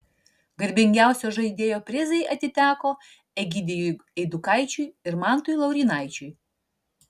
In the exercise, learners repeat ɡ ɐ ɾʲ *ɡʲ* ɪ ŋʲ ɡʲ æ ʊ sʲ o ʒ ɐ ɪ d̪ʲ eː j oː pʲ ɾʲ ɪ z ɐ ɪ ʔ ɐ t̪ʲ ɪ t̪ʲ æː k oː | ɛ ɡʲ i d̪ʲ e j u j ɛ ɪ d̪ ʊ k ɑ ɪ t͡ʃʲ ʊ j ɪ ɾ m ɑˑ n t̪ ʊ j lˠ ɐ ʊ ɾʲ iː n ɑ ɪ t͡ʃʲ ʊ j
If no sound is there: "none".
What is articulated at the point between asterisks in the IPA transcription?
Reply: bʲ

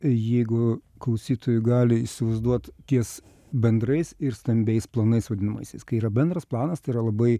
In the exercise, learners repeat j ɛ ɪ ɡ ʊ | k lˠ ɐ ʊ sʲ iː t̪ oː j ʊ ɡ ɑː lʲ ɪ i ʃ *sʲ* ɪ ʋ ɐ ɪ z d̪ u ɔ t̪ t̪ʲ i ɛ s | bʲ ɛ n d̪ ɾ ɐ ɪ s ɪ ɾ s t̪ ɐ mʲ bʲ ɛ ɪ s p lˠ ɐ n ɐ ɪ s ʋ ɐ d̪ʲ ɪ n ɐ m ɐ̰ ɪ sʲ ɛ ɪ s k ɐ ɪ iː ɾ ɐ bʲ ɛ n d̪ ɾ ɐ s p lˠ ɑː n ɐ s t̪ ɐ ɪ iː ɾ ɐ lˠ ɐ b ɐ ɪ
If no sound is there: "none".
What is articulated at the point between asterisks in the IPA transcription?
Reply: sʲ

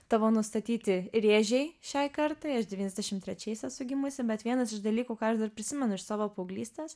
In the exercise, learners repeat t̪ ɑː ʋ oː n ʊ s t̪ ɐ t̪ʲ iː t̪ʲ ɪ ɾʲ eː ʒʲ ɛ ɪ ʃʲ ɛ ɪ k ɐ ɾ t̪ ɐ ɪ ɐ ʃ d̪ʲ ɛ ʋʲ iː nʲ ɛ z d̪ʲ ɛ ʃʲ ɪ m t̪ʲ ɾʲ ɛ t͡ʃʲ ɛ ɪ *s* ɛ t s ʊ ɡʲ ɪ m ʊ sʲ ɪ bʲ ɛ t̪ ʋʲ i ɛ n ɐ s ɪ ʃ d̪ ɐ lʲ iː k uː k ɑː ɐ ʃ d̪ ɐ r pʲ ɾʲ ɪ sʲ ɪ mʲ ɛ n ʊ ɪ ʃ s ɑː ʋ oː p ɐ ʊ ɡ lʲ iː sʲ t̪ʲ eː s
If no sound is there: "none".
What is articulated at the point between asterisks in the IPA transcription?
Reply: s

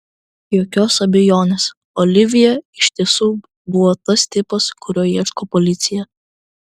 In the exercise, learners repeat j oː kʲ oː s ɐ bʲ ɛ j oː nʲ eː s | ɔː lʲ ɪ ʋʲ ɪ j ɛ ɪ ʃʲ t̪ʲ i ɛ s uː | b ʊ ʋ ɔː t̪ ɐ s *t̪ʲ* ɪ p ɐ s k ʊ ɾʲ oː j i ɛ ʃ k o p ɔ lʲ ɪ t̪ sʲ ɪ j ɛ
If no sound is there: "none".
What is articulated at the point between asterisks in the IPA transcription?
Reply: t̪ʲ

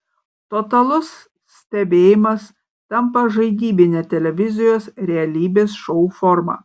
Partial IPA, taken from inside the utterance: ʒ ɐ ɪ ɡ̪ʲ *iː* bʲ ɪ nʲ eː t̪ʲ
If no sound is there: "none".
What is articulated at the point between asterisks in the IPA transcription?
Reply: iː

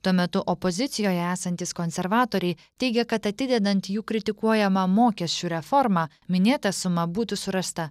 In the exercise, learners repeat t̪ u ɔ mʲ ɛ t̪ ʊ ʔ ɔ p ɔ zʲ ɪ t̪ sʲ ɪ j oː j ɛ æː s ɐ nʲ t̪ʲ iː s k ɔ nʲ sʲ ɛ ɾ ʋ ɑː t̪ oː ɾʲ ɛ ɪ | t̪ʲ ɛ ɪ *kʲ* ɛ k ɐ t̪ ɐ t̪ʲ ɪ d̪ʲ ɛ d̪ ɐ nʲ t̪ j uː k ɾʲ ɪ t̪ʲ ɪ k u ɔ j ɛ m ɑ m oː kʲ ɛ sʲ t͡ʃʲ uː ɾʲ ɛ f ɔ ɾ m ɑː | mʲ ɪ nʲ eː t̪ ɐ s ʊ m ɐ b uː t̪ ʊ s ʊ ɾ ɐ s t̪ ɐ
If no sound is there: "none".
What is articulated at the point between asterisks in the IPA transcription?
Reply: ɡʲ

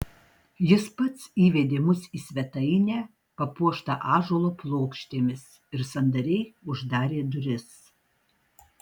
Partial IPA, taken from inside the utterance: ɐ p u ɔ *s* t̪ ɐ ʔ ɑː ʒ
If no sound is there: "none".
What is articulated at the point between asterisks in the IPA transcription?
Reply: ʃ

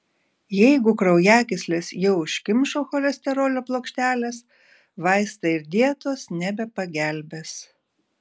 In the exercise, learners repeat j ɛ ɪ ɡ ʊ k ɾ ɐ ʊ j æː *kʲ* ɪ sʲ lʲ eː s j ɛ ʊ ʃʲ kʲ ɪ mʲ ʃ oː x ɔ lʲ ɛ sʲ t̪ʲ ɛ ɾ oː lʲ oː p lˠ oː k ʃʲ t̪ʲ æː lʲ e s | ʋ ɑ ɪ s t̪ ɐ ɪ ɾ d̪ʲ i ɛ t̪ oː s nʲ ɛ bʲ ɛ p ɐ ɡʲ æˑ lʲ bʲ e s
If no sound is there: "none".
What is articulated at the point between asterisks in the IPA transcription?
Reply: kʲ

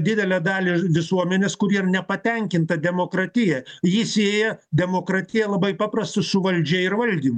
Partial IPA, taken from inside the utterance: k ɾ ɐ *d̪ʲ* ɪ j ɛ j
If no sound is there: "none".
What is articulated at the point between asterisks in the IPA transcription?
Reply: t̪ʲ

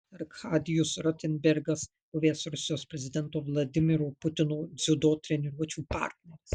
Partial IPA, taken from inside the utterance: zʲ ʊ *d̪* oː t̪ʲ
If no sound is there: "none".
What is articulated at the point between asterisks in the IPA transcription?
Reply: d̪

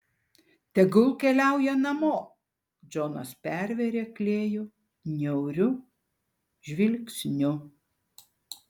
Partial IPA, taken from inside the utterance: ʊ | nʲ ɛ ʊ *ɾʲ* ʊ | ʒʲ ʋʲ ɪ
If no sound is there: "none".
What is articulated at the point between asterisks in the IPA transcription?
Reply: ɾʲ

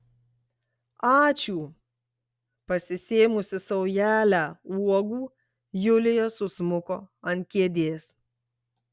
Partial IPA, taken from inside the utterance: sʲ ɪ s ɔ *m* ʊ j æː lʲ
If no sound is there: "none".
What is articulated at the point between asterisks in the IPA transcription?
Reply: none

